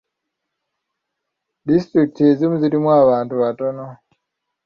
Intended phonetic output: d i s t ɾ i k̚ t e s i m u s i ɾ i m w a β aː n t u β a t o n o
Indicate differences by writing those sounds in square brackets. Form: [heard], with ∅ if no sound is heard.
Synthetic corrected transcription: d i s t ɾ i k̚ t e [z] i m u [z] i ɾ i m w a β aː n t u β a t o n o